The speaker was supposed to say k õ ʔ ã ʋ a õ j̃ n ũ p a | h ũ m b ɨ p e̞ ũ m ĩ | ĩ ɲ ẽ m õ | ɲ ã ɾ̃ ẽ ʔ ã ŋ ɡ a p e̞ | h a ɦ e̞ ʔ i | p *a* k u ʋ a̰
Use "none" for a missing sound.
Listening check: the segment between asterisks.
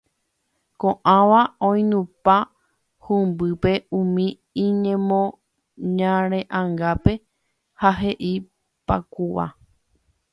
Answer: a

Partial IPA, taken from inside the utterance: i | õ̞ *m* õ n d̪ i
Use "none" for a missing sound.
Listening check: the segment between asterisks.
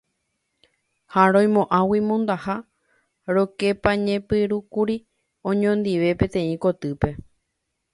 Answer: ɲ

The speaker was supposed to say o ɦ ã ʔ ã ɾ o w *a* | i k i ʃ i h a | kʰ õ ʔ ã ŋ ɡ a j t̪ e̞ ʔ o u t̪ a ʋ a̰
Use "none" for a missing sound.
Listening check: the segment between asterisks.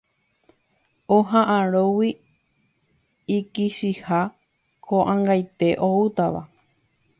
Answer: i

